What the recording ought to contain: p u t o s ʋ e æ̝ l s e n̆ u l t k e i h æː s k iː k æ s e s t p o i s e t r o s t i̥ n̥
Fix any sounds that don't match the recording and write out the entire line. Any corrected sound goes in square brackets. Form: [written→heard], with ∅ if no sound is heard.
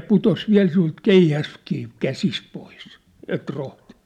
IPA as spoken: p u t o s ʋ [e→i] æ̝ l s [e→i] n̆ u l t k e i h [æː→æ] s k iː k æ s [e→i] s t p o i s e t r o [s→h] t i̥ n̥